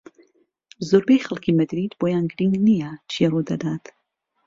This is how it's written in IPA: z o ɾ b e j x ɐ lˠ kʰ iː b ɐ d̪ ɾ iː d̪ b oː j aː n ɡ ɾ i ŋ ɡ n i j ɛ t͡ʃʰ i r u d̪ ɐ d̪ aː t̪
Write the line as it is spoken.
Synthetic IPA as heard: z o ɾ b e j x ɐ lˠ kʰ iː m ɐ d̪ ɾ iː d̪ b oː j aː n ɡ ɾ i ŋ ɡ n i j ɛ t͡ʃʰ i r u d̪ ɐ d̪ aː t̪